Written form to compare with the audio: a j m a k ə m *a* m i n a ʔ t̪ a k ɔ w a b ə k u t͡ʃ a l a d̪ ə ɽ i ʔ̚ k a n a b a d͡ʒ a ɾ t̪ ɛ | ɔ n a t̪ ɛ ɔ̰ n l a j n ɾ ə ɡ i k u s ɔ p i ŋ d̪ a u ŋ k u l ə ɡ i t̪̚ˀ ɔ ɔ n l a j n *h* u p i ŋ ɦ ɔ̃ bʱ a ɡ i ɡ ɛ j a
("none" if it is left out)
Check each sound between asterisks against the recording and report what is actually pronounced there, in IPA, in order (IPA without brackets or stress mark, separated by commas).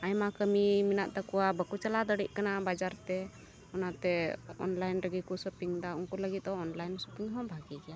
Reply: i, s